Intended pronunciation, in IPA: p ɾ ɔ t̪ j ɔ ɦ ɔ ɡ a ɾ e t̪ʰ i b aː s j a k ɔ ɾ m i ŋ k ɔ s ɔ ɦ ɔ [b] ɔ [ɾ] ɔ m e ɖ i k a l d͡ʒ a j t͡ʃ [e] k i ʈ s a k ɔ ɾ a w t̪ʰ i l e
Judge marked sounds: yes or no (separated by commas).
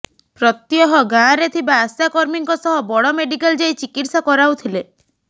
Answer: yes, no, no